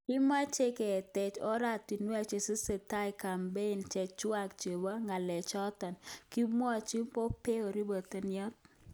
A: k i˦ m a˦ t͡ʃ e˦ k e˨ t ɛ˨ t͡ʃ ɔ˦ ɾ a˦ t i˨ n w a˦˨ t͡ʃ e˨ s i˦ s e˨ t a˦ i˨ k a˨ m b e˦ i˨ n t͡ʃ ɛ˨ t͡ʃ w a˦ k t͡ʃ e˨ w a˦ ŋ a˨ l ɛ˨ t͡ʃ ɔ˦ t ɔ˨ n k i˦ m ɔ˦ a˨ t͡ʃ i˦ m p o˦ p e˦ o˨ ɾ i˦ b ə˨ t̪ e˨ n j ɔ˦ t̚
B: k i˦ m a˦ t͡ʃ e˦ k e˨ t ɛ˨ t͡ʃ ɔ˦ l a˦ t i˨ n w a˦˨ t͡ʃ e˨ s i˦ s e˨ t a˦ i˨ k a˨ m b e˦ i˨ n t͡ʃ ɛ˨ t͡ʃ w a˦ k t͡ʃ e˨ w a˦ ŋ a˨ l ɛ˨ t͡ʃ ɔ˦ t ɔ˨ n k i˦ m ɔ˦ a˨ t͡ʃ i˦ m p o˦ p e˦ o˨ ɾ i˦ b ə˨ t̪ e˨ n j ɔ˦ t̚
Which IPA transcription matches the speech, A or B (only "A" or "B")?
A